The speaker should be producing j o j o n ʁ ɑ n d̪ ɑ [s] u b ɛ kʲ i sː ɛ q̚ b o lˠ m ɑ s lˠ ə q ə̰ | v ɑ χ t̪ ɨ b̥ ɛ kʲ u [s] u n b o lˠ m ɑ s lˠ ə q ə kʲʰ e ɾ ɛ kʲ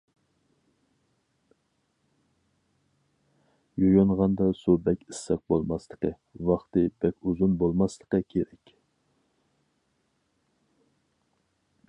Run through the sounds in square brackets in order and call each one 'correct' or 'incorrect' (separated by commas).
correct, incorrect